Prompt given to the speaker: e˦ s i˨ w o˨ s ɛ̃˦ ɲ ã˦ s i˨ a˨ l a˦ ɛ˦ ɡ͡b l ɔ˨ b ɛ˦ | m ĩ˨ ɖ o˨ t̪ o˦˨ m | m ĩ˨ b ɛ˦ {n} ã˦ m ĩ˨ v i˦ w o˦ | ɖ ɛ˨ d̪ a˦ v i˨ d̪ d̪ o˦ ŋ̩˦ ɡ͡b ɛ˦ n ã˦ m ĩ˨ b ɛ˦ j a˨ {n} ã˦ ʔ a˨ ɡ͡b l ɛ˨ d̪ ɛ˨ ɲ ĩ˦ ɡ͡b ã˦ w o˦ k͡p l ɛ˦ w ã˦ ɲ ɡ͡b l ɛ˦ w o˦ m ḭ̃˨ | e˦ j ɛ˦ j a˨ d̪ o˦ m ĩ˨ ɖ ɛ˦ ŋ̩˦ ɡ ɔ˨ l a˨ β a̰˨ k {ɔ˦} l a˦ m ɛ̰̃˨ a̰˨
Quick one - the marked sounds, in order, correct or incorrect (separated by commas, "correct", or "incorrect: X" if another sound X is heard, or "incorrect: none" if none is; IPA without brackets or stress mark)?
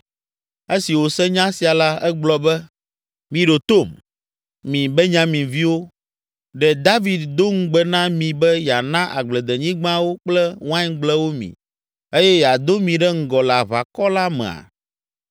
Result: incorrect: ɲ, correct, correct